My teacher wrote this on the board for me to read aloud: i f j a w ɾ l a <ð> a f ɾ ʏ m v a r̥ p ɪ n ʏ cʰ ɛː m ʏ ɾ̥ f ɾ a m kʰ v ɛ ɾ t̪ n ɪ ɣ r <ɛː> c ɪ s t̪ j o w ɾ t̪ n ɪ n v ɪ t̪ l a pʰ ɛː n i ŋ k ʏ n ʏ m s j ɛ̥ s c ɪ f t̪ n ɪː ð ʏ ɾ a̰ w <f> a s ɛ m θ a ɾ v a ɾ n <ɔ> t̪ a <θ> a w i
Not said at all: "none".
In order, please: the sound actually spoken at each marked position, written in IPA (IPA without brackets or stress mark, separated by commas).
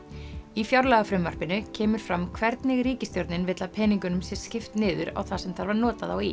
ɣ, iː, θ, ɔː, ð